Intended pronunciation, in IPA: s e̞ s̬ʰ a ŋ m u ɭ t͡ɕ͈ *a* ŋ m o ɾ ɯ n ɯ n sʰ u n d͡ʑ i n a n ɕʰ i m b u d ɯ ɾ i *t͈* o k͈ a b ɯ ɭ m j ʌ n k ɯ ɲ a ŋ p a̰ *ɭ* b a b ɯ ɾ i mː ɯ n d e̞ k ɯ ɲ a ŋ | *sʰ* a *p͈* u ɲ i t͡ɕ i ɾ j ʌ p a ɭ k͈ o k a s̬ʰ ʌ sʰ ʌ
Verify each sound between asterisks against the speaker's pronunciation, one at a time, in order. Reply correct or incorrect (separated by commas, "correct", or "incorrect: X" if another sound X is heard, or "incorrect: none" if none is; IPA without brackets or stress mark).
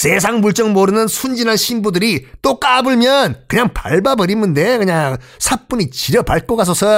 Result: incorrect: ʌ, correct, correct, correct, correct